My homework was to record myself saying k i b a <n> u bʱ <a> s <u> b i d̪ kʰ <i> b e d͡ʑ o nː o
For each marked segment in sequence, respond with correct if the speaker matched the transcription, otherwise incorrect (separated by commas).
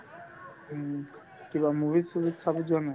incorrect, incorrect, correct, incorrect